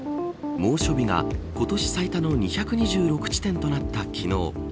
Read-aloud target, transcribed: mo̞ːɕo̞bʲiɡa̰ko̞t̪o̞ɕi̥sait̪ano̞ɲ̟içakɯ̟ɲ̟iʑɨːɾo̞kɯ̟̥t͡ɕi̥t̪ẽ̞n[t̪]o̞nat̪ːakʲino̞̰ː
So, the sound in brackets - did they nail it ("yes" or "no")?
yes